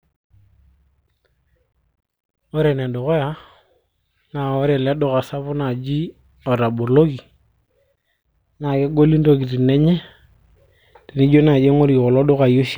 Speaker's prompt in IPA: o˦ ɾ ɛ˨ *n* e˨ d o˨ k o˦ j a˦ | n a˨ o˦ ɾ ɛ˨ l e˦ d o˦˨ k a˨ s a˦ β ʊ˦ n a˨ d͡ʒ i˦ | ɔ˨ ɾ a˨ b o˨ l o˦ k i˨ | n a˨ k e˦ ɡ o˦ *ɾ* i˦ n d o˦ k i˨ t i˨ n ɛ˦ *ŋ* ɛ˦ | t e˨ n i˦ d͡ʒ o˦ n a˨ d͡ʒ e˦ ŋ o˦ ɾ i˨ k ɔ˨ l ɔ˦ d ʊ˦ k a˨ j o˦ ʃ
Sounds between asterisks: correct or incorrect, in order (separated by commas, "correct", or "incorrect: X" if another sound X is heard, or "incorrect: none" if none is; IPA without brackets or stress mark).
correct, incorrect: l, incorrect: ɲ